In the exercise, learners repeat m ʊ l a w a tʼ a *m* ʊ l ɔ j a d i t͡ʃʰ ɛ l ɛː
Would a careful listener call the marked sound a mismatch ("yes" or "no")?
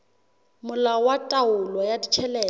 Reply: yes